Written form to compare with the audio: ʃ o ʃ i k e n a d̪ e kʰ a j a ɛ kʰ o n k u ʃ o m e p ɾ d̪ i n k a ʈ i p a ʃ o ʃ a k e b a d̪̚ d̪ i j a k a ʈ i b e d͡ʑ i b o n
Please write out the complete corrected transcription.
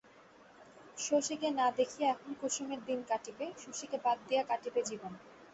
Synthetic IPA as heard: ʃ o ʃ i k e n a d̪ e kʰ i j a ɛ kʰ o n k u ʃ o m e ɾ d̪ i n k a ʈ i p e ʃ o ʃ i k e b a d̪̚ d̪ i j a k a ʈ i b e d͡ʑ i b o n